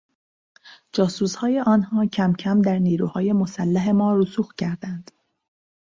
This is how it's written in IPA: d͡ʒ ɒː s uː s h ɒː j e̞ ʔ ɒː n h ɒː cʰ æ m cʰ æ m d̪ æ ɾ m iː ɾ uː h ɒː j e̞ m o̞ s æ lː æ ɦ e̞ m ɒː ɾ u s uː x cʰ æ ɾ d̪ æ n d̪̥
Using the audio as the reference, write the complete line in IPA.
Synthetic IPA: d͡ʒ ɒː s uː s h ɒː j e̞ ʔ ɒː n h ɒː cʰ æ m cʰ æ m d̪ æ ɾ n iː ɾ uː h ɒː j e̞ m o̞ s æ lː æ ɦ e̞ m ɒː ɾ u s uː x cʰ æ ɾ d̪ æ n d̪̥